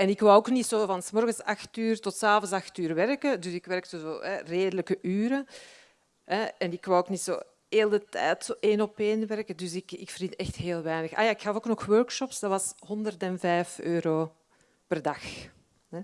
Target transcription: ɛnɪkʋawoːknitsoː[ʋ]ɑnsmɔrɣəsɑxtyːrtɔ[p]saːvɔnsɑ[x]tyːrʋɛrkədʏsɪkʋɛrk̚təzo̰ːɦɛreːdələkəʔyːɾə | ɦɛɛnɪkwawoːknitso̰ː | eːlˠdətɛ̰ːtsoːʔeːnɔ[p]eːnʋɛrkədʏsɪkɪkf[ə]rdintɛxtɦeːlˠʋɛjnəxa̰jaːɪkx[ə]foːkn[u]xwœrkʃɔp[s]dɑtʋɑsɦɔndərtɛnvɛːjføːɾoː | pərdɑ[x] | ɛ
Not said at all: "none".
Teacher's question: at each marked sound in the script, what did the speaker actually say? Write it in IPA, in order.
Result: v, t, x, p, ə, ɑ, ɔ, s, x

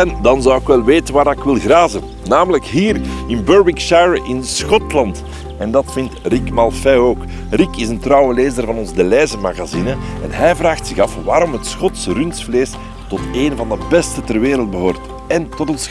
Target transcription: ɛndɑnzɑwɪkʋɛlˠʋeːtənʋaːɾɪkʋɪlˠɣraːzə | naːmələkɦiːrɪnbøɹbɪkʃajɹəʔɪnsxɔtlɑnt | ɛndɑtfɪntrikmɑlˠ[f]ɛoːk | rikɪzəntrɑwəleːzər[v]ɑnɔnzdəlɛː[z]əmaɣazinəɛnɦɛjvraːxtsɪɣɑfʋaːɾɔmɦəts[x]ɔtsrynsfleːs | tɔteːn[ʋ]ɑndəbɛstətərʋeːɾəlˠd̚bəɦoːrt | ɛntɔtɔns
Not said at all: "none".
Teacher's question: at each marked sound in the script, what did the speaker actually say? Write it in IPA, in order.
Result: f, v, z, x, v

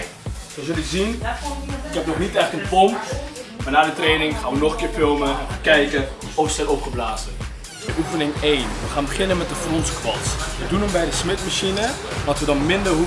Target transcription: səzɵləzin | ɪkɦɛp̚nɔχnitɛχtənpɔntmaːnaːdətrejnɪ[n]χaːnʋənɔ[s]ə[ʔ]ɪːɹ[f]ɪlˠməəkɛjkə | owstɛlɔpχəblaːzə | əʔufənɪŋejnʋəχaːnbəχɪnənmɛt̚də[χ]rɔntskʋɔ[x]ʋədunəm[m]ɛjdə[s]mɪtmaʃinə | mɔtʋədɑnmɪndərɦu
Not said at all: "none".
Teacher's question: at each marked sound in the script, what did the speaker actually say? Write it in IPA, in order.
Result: ŋ, χ, k, f, f, s, b, s

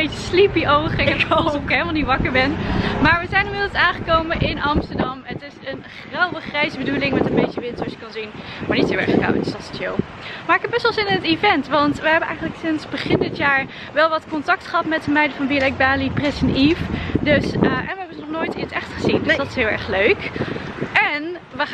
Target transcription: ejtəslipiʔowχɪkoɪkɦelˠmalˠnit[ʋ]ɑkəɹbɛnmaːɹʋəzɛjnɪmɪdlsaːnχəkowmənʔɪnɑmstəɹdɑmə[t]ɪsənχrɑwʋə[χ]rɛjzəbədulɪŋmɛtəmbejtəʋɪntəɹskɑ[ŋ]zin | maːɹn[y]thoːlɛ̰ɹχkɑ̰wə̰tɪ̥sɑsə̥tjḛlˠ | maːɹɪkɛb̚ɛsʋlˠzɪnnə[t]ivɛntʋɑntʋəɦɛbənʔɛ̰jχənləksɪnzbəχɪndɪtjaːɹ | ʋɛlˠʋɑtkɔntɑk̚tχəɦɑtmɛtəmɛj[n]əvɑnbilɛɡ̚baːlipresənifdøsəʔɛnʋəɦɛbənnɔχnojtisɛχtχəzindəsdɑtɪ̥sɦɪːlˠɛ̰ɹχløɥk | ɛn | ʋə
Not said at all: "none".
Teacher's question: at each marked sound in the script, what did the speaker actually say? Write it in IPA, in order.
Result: ʋ, t, χ, n, i, t, d

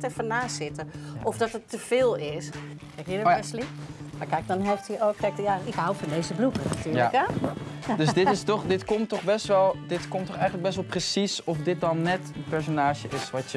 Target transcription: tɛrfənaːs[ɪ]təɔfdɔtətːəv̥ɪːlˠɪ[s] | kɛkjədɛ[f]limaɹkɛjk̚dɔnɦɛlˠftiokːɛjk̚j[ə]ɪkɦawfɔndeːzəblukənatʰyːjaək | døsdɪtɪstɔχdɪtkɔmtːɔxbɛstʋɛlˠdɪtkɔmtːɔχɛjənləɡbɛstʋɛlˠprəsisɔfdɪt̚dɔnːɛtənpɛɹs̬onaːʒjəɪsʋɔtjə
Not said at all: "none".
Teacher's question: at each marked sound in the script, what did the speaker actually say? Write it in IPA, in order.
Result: ɪ, s, s, a

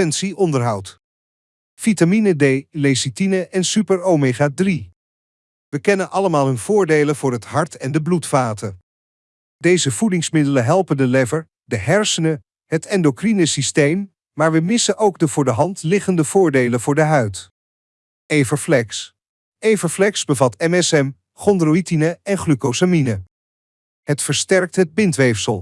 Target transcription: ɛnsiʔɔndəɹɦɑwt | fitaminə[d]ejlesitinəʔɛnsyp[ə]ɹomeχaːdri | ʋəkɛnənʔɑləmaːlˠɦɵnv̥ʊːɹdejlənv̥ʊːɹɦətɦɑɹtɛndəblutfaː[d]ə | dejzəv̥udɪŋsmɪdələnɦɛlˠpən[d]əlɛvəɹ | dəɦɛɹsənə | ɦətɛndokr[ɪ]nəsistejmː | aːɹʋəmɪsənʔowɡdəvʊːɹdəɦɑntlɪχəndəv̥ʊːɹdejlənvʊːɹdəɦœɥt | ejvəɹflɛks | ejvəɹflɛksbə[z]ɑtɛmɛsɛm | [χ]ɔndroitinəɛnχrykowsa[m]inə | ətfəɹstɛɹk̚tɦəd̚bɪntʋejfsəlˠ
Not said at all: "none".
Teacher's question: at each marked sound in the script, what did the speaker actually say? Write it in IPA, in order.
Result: d, ə, t, d, i, v, χ, m

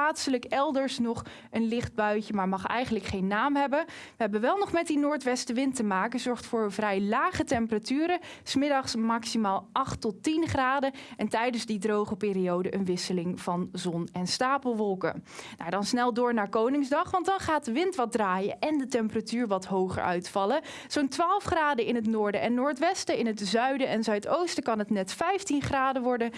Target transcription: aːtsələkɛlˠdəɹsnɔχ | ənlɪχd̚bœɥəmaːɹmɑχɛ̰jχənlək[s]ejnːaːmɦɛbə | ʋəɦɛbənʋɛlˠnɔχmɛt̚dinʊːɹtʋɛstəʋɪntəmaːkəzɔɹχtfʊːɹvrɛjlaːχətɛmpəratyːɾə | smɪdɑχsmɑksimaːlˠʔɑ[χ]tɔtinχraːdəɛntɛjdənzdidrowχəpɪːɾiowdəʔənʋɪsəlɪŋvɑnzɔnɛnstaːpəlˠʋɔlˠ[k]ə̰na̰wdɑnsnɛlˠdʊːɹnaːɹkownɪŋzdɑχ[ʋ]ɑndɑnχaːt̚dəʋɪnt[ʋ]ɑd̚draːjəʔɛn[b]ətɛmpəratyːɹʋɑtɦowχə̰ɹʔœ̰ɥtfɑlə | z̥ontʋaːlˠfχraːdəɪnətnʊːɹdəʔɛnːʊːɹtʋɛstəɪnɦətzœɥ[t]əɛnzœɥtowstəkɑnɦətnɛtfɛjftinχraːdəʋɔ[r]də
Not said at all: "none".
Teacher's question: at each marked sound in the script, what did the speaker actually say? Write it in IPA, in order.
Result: χ, χ, k, ʋ, ʋ, d, d, ɹ

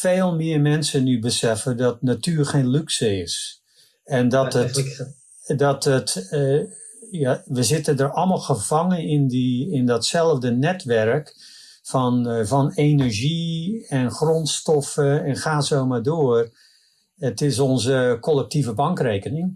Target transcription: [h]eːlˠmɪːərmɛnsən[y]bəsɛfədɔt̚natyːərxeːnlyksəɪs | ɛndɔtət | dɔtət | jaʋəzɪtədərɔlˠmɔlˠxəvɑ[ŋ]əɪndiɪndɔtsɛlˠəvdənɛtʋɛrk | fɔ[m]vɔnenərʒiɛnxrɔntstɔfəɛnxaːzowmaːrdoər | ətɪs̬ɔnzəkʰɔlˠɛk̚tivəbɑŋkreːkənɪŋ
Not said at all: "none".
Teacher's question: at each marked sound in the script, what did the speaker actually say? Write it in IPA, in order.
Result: f, y, ŋ, n

